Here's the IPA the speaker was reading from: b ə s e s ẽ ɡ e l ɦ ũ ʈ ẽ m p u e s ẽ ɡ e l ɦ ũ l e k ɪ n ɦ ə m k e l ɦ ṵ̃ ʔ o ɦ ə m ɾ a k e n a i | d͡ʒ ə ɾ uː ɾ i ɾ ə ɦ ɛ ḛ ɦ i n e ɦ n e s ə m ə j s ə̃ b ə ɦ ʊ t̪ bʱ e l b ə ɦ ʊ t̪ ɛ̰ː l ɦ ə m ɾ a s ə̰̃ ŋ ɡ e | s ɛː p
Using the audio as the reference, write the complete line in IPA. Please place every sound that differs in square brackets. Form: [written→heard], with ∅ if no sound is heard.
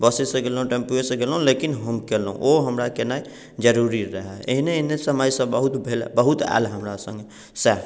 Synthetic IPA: b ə s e s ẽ ɡ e l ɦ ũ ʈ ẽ m p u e s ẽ ɡ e l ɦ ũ l e k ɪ n ɦ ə m k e l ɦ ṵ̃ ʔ o ɦ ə m ɾ a k e n a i | d͡ʒ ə ɾ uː ɾ i ɾ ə ɦ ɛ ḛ ɦ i n e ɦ n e s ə m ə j s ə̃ b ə ɦ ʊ t̪ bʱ e l b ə ɦ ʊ t̪ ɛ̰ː l ɦ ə m ɾ a s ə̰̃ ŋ ɡ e | s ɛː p

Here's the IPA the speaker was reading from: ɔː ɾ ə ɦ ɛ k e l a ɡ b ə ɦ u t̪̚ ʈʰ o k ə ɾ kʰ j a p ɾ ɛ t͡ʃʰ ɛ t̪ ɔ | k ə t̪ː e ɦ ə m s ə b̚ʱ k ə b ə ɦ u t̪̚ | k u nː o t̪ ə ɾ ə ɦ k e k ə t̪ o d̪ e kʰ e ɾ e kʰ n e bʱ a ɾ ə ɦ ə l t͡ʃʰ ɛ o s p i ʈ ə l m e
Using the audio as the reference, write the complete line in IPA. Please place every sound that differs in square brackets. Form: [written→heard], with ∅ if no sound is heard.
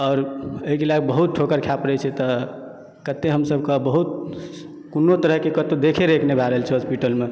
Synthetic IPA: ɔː ɾ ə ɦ [ɛ→i] k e l a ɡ b ə ɦ u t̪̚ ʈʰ o k ə ɾ kʰ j a p ɾ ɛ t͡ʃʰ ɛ t̪ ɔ | k ə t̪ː e ɦ ə m s ə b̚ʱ k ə b ə ɦ u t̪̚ | k u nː o t̪ ə ɾ ə ɦ k e k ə t̪ o d̪ e kʰ e ɾ e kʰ n e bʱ a ɾ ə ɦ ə l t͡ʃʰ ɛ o s p i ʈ ə l m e

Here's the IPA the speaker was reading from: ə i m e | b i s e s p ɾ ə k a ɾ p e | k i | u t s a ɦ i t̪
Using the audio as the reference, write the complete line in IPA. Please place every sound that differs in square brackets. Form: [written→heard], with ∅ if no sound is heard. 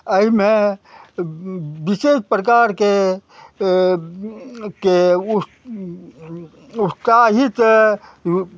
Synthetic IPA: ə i m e | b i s e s p ɾ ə k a ɾ [p→k] e | k [i→e] | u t s a ɦ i t̪

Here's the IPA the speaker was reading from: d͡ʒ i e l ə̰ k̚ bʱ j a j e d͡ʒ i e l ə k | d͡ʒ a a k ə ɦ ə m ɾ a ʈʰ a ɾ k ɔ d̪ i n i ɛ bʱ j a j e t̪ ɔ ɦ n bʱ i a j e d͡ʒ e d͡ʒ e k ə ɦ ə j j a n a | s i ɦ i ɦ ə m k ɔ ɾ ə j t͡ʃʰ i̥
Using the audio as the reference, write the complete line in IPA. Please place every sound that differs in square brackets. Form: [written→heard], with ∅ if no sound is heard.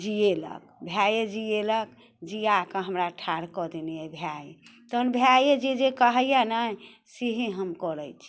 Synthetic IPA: d͡ʒ i e l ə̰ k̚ bʱ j a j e d͡ʒ i e l ə k | d͡ʒ [a→i] a k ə ɦ ə m ɾ a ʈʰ a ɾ k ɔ d̪ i n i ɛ bʱ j a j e t̪ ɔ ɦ n bʱ [i→j] a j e d͡ʒ e d͡ʒ e k ə ɦ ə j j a n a | s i ɦ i ɦ ə m k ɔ ɾ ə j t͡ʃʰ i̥

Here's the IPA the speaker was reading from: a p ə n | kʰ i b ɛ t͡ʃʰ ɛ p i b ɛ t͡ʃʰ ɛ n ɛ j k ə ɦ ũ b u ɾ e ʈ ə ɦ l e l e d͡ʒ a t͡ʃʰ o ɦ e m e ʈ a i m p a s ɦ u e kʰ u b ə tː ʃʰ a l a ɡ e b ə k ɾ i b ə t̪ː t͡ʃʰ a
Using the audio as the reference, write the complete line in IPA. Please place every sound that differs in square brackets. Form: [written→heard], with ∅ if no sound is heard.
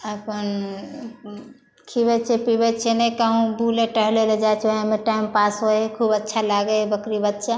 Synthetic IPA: [a→ə] p ə n | kʰ i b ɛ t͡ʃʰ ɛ p i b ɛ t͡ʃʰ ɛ n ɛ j k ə ɦ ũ b u [ɾ→l] e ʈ ə ɦ l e l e d͡ʒ a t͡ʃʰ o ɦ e m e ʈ a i m p a s ɦ [u→o] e kʰ u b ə tː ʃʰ a l a ɡ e b ə k ɾ i b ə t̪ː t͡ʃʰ a

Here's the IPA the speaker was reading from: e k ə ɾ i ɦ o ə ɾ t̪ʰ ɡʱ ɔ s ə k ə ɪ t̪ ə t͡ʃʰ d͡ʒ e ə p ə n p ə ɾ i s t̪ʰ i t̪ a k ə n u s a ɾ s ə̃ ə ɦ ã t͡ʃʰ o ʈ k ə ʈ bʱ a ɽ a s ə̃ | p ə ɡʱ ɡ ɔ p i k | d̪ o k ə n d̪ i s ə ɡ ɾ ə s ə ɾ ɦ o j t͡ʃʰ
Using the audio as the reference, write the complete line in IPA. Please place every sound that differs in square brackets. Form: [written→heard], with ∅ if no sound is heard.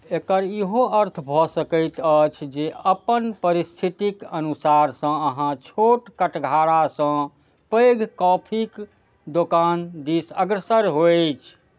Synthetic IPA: e k ə ɾ i ɦ o ə ɾ t̪ʰ [ɡʱ→bʱ] ɔ s ə k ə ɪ t̪ ə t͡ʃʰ d͡ʒ e ə p ə n p ə ɾ i s t̪ʰ i t̪ [a→i] k ə n u s a ɾ s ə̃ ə ɦ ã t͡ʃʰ o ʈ k ə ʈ [bʱ→ɡʱ] a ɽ a s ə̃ | p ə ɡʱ [ɡ→k] ɔ [p→pʰ] i k | d̪ o k [ə→a] n d̪ i s ə ɡ ɾ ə s ə ɾ ɦ o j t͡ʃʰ

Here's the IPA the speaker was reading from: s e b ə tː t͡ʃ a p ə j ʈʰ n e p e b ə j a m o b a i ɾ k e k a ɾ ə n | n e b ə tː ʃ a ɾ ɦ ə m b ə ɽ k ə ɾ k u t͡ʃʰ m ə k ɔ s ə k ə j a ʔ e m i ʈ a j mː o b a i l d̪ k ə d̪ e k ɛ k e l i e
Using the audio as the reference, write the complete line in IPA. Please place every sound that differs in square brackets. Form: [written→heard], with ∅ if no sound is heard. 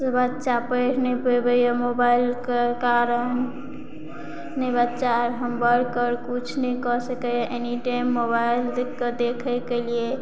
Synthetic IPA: s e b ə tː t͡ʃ a p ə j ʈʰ n e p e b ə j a m o b a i [ɾ→l] k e k a ɾ ə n | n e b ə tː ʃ a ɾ ɦ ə m b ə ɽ k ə ɾ k u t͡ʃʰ [m→n] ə k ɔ s ə k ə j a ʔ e [m→n] i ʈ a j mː o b a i l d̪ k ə d̪ e [k→kʰ] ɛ k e l i e

